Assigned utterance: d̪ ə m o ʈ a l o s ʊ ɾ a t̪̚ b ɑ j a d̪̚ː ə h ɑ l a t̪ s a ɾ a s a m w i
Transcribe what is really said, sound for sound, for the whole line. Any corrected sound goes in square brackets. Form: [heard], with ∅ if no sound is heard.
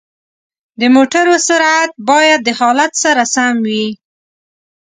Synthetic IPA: d̪ ə m o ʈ a [ɾ] o s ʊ ɾ a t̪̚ b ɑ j a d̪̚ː ə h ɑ l a t̪ s a ɾ a s a m w i

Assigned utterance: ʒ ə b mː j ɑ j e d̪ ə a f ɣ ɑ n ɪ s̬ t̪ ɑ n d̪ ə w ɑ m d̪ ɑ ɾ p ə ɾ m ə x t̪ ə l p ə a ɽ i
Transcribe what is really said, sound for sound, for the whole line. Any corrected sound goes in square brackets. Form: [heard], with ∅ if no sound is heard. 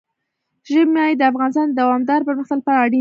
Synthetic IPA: ʒ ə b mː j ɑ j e d̪ ə a f ɣ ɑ n ɪ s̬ t̪ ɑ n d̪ [a] w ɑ m d̪ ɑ ɾ p ə ɾ m ə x t̪ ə l p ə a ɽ i

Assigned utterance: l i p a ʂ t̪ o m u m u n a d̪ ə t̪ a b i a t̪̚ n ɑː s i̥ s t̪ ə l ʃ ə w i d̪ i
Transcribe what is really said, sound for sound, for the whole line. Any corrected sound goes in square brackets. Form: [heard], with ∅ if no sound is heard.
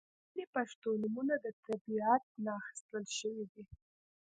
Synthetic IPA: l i p a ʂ t̪ o [n] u m u n a d̪ ə t̪ a b i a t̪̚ n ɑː [x] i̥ s t̪ ə l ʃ ə w i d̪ i

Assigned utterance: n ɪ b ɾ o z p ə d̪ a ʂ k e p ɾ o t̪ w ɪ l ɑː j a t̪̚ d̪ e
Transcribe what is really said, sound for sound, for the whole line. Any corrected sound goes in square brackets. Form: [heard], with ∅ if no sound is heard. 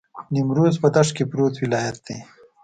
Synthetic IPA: n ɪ [m] ɾ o z p ə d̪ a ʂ k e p ɾ o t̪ w ɪ l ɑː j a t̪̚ d̪ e

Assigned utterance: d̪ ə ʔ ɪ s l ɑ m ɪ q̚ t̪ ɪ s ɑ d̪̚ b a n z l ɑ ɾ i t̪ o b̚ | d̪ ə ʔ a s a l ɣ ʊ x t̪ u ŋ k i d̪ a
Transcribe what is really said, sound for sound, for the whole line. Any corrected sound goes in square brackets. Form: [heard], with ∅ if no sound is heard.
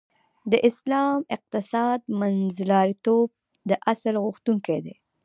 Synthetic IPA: d̪ ə ʔ ɪ s l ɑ m ɪ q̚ t̪ ɪ s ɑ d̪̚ [m] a n z l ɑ ɾ i t̪ o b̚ | d̪ ə ʔ a s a l ɣ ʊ x t̪ u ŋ k [e] d̪ [e]

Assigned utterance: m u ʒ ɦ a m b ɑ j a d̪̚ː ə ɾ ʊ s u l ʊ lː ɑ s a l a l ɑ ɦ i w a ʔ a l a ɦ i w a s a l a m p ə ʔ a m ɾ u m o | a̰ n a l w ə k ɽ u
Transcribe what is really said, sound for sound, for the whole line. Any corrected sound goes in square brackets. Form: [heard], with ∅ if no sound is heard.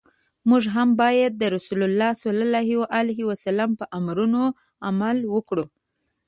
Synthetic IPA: m u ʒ ɦ a m b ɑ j a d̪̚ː ə ɾ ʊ s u l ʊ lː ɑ s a l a l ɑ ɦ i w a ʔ a l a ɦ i w a s a l a m p ə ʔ a m ɾ u [n] o | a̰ [m] a l w ə k ɽ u

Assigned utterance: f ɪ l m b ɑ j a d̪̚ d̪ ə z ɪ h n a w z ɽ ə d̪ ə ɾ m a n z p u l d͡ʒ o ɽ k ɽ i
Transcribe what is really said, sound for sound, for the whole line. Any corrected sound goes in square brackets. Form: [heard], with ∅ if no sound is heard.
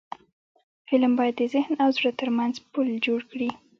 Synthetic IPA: f ɪ l m b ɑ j a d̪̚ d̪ ə z ɪ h n a w z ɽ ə [t̪] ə ɾ m a n z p u l d͡ʒ o ɽ k ɽ i

